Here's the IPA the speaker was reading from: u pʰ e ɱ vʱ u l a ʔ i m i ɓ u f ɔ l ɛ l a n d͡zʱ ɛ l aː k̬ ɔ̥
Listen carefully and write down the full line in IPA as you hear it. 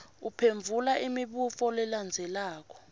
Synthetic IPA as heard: u pʰ e ɱ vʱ u l a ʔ i m i ɓ u f ɔ l ɛ l a n d͡zʱ ɛ l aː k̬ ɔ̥